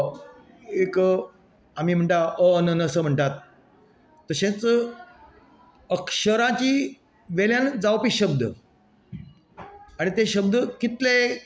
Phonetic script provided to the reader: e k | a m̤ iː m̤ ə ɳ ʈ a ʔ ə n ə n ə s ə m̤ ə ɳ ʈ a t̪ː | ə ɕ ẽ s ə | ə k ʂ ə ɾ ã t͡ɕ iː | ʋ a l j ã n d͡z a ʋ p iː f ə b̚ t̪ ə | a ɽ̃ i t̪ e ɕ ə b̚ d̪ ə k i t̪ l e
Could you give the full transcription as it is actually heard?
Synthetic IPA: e k | a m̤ iː m̤ ə ɳ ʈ a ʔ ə n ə n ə s ə m̤ ə ɳ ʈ a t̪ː | ə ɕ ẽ t͡s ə | ə k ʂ ə ɾ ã t͡ɕ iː | ʋ e l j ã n d͡z a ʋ p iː ɕ ə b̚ d̪ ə | a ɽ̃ i t̪ e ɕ ə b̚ d̪ ə k i t̪ l e